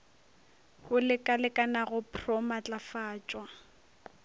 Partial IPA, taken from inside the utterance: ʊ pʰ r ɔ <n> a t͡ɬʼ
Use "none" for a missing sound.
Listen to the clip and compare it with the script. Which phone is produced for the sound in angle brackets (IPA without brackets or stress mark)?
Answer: m